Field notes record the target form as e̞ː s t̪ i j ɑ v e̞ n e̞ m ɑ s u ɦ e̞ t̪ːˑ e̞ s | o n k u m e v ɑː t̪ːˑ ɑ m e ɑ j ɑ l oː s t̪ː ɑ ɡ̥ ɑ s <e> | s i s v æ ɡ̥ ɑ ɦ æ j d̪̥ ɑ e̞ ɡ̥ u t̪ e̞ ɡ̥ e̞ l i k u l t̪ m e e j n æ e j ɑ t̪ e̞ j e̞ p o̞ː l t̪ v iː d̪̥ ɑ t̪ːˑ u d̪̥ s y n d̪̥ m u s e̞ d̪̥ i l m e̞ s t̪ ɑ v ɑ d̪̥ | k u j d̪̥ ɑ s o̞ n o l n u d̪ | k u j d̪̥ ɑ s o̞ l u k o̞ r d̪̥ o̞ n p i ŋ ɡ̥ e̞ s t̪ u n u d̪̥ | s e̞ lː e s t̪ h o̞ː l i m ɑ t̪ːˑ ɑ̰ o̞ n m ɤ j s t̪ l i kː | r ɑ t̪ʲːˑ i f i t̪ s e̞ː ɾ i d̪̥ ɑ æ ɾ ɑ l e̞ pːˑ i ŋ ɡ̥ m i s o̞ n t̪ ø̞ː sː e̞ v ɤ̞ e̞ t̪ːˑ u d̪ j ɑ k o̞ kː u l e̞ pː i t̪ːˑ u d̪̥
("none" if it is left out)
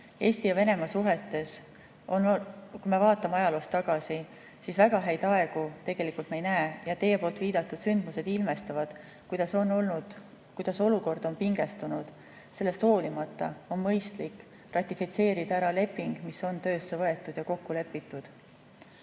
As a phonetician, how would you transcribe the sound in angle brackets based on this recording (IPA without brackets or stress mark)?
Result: i